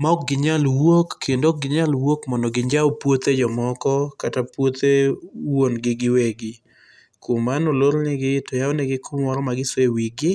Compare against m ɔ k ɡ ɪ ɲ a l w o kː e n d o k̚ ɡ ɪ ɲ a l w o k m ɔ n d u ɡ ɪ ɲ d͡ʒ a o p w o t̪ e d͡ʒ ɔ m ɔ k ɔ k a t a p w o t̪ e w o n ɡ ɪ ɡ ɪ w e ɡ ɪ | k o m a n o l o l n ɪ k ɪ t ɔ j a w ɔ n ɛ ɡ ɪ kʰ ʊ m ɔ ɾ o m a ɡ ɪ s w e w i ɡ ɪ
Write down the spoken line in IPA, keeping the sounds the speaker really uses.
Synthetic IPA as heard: m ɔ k ɡ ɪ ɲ a l w o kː e n d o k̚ ɡ ɪ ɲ a l w o k m ɔ n d ɔ ɡ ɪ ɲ d͡ʒ a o p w o t̪ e d͡ʒ ɔ m ɔ k ɔ k a t a p w o t̪ e w o n ɡ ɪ ɡ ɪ w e ɡ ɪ | k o m a n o l o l n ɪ ɡ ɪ t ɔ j a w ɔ n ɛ ɡ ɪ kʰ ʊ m ɔ ɾ ɔ m a ɡ ɪ s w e w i ɡ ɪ